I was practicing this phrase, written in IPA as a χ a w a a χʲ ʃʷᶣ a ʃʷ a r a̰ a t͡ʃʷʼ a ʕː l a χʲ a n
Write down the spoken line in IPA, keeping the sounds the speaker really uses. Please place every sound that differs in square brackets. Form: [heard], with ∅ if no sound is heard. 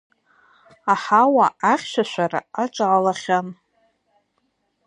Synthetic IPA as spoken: a [ħ] a w a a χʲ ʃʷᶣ a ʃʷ a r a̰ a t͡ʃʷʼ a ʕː l a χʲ a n